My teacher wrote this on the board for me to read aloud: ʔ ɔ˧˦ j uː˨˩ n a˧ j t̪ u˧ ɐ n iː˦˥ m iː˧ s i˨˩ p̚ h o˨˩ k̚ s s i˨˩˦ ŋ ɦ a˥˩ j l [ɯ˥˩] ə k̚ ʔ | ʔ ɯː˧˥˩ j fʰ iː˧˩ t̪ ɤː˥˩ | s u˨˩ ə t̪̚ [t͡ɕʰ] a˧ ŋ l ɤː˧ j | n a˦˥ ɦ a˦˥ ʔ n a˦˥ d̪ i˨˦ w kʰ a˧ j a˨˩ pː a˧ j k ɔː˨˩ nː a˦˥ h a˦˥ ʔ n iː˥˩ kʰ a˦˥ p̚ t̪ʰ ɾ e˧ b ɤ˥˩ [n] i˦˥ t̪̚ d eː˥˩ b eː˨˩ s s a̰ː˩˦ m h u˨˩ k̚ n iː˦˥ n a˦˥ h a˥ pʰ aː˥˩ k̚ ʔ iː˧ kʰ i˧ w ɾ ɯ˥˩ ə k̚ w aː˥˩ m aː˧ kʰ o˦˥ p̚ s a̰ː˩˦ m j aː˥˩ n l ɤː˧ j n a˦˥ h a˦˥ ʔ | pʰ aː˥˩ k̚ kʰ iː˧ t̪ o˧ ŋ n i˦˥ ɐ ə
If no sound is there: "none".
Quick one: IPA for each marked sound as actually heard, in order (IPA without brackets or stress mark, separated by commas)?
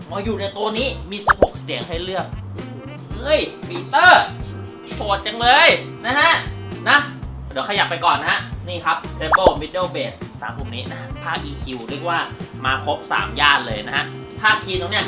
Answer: ɯ˥˩, t͡ɕ, m